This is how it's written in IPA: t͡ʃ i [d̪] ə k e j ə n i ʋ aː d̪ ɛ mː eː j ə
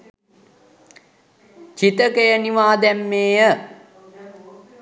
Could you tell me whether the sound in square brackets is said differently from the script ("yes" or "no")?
yes